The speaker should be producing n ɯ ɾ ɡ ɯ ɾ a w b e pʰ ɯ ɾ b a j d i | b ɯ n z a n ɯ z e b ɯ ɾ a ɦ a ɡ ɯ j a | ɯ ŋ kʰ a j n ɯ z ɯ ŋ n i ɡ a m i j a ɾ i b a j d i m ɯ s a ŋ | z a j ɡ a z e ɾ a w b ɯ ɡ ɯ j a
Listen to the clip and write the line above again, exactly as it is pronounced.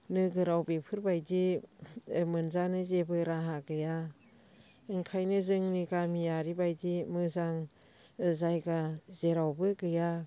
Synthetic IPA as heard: n ɯ ɡ ɯ ɾ a w b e pʰ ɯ ɾ b a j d i | m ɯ n z a n ɯ z e b ɯ ɾ a ɦ a ɡ ɯ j a | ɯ ŋ kʰ a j n ɯ z ɯ ŋ n i ɡ a m i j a ɾ i b a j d i m ɯ z a ŋ | z a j ɡ a z e ɾ a w b ɯ ɡ ɯ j a